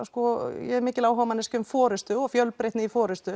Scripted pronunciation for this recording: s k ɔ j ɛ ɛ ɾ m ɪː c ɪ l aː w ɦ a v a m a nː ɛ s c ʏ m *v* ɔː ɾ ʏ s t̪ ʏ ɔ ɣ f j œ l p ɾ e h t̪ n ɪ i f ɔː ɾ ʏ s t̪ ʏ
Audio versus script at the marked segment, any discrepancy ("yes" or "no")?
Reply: yes